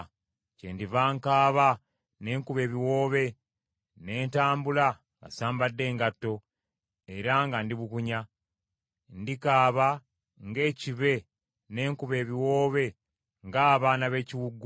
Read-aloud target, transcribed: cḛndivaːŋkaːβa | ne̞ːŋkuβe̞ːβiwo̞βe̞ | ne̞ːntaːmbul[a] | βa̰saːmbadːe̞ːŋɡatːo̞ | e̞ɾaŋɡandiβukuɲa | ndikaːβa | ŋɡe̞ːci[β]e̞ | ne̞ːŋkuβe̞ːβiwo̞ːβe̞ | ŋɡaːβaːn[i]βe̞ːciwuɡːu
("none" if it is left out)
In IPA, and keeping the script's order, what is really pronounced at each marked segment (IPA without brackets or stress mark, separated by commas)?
a, β, a